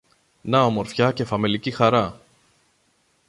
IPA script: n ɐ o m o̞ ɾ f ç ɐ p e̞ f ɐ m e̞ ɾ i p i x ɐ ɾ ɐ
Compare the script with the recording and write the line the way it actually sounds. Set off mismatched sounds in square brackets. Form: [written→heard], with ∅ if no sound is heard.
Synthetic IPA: n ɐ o m o̞ ɾ f ç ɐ [p→c] e̞ f ɐ m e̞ [ɾ→l] i [p→c] i x ɐ ɾ ɐ

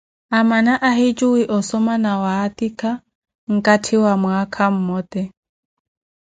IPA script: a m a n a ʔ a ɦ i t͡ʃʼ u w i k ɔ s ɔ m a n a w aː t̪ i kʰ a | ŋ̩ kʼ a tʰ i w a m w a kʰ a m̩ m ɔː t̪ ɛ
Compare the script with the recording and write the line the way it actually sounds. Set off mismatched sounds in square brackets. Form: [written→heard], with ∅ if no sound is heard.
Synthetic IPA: a m a n a ʔ a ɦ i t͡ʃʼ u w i [k→ʔ] ɔ s ɔ m a n a w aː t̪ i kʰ a | ŋ̩ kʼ a tʰ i w a m w a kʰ a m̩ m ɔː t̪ ɛ

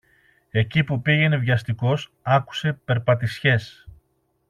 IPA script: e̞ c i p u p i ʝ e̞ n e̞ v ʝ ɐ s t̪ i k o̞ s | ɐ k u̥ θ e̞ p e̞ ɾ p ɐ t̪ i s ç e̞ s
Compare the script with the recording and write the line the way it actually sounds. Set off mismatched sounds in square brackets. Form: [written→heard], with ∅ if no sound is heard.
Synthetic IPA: e̞ c i p u p i ʝ e̞ n e̞ v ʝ ɐ s t̪ i k o̞ s | ɐ k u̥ [θ→s] e̞ p e̞ ɾ p ɐ t̪ i s ç e̞ s

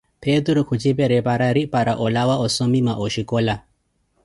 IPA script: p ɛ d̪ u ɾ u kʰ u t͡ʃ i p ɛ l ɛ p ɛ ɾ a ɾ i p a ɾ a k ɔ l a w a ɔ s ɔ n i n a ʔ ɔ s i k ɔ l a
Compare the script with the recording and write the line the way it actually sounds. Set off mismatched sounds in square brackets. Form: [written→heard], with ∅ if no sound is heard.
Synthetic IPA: p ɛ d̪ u ɾ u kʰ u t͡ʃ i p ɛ [l→ɾ] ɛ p [ɛ→a] ɾ a ɾ i p a ɾ a [k→ʔ] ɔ l a w a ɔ s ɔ [n→m] i [n→m] a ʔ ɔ [s→ʃ] i k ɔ l a

